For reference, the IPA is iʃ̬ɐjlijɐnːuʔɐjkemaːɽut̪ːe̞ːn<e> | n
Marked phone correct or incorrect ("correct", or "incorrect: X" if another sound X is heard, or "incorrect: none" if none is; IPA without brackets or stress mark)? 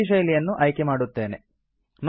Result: correct